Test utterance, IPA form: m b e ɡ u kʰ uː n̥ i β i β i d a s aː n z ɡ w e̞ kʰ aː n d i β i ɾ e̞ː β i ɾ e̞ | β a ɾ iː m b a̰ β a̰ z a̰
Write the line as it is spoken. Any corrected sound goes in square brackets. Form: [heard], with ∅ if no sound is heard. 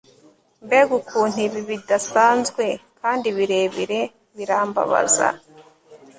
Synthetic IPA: m b e ɡ u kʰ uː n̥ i β i β i d a s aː n z ɡ w e̞ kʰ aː n d i β i ɾ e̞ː β i ɾ e̞ | β [i] ɾ [aː] m b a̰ β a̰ z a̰